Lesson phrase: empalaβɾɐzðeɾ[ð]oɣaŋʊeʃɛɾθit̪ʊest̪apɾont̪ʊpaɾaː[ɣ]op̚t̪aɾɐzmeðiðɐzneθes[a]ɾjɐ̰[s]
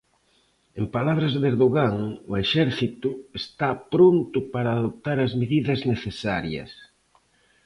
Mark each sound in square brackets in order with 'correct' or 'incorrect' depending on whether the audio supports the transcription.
correct, incorrect: ð, correct, correct

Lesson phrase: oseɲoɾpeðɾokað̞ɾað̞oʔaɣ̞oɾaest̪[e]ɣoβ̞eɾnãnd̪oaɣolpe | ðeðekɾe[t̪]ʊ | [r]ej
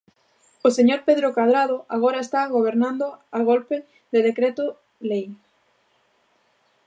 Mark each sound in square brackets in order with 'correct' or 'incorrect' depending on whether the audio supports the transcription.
incorrect: a, correct, incorrect: l

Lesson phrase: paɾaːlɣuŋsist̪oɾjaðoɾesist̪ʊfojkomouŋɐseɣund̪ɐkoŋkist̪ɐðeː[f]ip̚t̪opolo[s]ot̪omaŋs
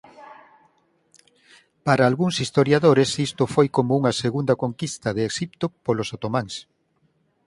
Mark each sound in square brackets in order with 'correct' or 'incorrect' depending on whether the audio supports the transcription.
incorrect: ʃ, correct

